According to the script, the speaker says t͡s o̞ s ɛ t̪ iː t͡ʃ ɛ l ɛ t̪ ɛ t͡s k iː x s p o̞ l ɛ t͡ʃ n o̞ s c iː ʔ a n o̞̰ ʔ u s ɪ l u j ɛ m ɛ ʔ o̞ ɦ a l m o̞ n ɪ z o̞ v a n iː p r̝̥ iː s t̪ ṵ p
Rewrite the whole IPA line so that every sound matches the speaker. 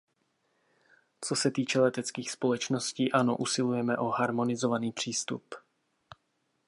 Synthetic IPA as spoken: t͡s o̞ s ɛ t̪ iː t͡ʃ ɛ l ɛ t̪ ɛ t͡s k iː x s p o̞ l ɛ t͡ʃ n o̞ s c iː ʔ a n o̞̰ ʔ u s ɪ l u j ɛ m ɛ ʔ o̞ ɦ a ɾ m o̞ n ɪ z o̞ v a n iː p r̝̥ iː s t̪ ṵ p